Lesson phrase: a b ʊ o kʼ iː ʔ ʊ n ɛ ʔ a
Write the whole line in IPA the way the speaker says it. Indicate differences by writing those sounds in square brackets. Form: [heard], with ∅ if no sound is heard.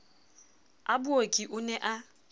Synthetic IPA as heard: a b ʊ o kʼ [i] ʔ ʊ n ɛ ʔ a

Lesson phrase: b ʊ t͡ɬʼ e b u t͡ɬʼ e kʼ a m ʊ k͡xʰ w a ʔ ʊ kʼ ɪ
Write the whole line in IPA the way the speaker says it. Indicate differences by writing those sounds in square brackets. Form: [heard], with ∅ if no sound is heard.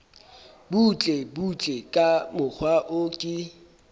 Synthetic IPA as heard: b [u] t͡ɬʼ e b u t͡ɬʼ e kʼ a m ʊ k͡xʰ w a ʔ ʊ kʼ ɪ

